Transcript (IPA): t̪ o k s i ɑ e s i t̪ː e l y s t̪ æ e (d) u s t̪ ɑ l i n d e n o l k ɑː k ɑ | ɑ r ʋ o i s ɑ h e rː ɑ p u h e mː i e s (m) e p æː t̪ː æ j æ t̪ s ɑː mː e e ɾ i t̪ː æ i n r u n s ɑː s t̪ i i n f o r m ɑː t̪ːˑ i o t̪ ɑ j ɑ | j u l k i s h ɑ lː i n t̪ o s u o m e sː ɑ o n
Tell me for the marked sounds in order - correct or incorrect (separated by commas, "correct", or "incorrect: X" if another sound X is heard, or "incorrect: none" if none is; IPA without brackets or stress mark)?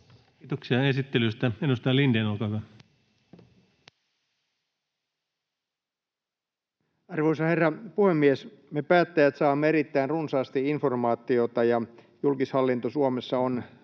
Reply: incorrect: n, correct